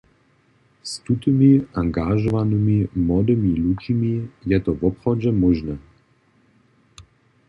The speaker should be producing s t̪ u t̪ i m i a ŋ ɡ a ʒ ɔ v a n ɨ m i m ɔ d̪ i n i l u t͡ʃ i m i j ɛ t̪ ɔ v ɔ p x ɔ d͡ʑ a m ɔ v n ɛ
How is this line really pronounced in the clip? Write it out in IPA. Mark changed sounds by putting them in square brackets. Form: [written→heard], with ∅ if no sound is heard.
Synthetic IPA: s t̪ u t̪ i m i a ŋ ɡ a ʒ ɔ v a n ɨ m i m ɔ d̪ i [n→m] i l u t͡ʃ i m i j ɛ t̪ ɔ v ɔ p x ɔ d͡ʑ [a→ɛ] m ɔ [v→ʒ] n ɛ